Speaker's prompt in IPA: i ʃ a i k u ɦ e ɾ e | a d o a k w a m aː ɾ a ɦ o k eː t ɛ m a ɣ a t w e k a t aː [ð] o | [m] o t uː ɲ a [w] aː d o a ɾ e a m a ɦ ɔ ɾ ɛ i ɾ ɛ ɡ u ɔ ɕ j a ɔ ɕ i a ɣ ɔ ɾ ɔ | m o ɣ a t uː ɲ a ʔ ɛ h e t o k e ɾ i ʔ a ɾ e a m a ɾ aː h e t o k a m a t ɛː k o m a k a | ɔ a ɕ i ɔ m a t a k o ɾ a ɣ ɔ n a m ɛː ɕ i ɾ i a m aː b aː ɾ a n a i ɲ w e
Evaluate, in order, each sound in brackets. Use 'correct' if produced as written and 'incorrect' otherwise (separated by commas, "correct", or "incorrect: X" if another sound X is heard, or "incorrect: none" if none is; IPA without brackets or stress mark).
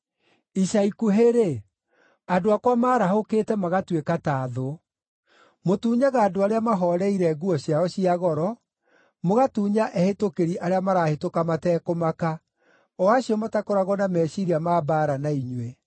correct, correct, incorrect: ɣ